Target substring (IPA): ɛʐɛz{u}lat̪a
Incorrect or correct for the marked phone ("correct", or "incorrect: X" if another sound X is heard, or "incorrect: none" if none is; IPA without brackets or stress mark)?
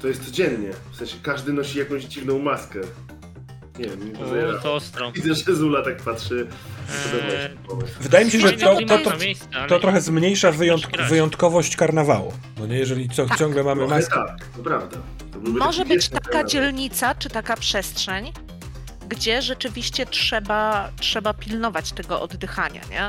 correct